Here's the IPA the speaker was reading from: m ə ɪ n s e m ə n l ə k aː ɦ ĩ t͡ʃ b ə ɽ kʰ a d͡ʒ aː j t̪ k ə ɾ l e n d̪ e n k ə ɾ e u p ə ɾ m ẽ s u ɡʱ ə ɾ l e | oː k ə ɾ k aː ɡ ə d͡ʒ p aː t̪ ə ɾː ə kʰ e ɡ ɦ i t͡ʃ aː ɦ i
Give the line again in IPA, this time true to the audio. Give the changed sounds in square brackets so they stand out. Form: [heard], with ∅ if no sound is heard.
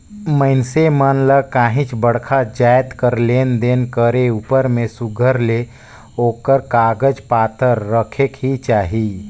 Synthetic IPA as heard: m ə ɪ n s e m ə n l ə k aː ɦ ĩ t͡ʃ b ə ɽ kʰ a d͡ʒ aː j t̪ k ə ɾ l e n d̪ e n k ə ɾ e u p ə ɾ m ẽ s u ɡʱ ə ɾ l e | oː k ə ɾ k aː ɡ ə d͡ʒ p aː t̪ ə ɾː ə kʰ e [k] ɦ i t͡ʃ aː ɦ i